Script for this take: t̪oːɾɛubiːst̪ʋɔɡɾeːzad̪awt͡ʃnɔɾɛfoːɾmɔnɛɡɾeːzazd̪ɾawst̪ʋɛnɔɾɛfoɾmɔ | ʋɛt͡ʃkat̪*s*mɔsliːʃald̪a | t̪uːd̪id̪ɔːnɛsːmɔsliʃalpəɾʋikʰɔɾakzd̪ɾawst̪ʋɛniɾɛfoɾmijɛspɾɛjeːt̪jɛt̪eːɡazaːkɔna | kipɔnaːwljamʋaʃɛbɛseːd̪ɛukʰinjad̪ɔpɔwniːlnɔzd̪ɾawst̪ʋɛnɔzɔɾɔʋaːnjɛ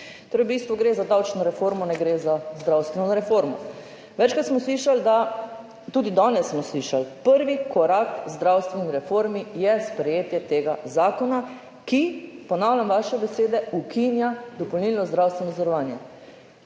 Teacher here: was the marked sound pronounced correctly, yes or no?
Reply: yes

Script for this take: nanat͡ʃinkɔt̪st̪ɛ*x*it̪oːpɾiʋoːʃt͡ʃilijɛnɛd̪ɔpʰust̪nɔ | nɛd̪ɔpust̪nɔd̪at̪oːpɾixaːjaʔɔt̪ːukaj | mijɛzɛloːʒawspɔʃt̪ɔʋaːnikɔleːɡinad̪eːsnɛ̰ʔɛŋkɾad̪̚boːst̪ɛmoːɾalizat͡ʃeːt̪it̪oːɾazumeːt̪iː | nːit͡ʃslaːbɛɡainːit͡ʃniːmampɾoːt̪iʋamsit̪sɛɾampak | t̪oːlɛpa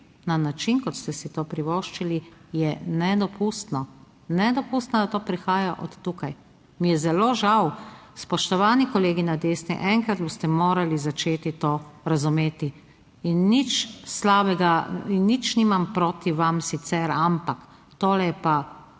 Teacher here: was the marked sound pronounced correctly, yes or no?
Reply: no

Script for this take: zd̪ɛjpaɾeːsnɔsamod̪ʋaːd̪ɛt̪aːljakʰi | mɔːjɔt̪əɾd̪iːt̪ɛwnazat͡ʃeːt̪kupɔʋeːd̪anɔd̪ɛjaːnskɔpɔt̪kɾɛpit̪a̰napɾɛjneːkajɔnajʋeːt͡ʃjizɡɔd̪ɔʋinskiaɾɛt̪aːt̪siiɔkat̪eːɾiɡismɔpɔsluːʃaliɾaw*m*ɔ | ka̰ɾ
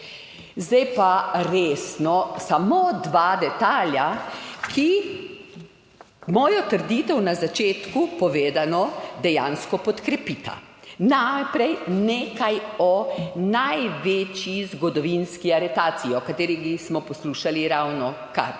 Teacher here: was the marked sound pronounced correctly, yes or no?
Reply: no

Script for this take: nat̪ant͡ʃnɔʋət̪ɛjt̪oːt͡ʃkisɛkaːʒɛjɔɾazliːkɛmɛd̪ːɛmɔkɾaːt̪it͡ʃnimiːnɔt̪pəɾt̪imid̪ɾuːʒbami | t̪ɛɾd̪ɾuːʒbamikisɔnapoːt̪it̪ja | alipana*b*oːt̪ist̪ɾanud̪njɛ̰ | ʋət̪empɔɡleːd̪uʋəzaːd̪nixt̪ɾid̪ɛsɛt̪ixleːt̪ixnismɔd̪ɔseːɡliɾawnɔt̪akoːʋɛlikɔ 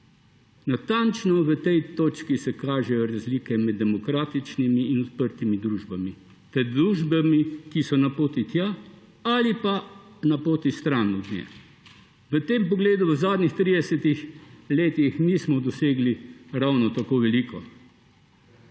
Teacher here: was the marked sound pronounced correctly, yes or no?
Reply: no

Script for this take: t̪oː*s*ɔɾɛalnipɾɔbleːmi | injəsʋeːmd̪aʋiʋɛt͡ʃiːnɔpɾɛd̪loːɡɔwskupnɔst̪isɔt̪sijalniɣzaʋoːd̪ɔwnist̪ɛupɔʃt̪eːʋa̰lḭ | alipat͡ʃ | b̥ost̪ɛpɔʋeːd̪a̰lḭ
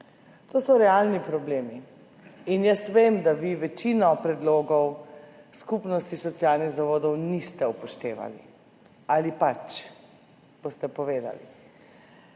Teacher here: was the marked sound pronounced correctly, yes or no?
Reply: yes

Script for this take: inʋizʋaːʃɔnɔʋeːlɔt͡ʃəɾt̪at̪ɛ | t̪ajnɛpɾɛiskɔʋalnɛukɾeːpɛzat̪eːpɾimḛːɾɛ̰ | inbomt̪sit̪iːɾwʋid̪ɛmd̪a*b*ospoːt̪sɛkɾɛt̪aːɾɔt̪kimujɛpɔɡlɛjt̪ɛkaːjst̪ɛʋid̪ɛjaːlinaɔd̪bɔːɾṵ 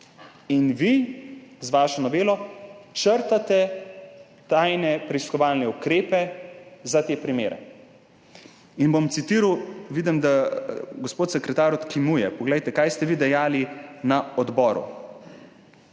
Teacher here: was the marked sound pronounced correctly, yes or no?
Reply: no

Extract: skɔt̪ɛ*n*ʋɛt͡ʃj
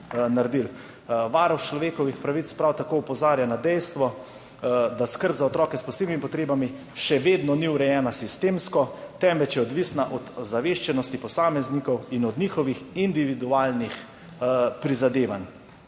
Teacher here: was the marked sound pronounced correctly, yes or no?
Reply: no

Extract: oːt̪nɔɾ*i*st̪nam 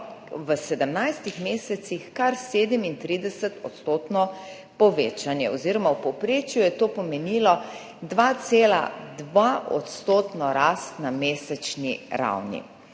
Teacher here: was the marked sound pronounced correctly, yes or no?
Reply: no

